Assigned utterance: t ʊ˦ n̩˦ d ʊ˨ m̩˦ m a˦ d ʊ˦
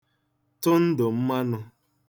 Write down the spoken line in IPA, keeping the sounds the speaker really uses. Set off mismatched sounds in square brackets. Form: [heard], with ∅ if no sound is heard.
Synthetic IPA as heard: t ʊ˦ n̩˦ d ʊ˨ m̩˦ m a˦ [n] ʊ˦